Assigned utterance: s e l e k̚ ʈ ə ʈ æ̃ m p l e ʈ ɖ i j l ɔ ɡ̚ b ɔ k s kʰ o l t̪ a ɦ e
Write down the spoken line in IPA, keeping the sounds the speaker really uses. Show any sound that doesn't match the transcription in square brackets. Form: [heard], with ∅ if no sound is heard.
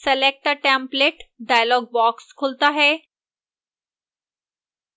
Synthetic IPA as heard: s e l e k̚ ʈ ə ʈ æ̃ m p l e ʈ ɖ [a] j l ɔ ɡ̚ b ɔ k s kʰ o l t̪ a ɦ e